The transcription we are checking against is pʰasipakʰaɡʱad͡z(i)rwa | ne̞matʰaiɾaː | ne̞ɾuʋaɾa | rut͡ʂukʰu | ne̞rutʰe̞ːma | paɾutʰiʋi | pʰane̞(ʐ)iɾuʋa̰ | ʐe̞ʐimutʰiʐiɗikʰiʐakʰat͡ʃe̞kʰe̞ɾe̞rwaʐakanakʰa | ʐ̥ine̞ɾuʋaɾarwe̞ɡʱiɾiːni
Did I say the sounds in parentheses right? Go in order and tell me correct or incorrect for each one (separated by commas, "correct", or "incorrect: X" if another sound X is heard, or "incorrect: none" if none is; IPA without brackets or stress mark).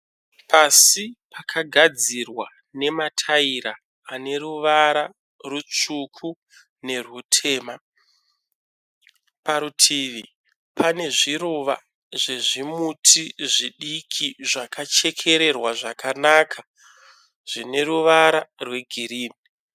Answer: correct, correct